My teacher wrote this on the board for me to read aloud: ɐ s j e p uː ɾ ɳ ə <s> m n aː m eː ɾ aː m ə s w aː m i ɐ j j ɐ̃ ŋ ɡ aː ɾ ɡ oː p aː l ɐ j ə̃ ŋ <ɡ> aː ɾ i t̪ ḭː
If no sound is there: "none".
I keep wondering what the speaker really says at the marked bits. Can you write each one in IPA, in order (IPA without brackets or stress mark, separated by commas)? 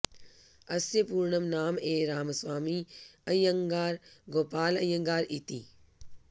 none, ɡ